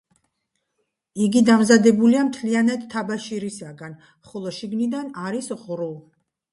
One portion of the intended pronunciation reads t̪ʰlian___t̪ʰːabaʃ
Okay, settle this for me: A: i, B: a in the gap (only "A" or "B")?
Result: B